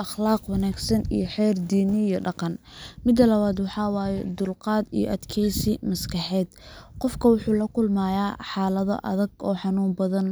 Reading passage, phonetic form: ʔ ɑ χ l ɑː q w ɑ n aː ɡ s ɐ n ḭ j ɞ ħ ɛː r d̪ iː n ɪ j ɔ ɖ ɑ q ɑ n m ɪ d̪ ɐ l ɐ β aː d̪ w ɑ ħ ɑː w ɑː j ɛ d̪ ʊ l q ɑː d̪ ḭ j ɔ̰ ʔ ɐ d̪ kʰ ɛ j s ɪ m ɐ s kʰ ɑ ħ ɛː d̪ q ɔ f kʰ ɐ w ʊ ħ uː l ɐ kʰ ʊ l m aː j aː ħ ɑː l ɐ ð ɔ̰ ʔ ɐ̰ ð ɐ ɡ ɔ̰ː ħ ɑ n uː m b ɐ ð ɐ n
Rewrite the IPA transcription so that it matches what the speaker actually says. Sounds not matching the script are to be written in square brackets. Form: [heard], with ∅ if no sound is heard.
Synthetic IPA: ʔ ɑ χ l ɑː q w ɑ n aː ɡ s ɐ n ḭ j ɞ ħ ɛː r d̪ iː n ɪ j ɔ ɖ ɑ q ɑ n m ɪ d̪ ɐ l ɐ β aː d̪ w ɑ ħ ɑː w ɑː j ɛ d̪ ʊ l q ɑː d̪ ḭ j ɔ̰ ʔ ɐ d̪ kʰ ɛ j s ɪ m ɐ s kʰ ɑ ħ ɛː d̪ q ɔ f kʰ ɐ w ʊ ħ uː l ɐ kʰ ʊ l m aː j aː ħ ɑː l ɐ ð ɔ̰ ʔ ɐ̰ ð ɐ ɡ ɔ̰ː ħ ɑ n uː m b ɐ ð ɐ n